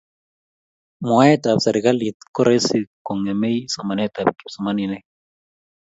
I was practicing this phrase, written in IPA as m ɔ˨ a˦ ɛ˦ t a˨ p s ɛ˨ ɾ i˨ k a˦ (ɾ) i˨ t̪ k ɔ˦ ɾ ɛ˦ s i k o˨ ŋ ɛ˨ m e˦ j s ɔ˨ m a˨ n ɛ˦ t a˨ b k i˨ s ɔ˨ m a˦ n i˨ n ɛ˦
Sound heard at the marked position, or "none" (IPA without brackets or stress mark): l